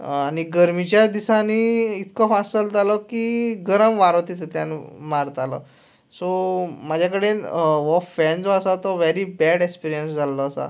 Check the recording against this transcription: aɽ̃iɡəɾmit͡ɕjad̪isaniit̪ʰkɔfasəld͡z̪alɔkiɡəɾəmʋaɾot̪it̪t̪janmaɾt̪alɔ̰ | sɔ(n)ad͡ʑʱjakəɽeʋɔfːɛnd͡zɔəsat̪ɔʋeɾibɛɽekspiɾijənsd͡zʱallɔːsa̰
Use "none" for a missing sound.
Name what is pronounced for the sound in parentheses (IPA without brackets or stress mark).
m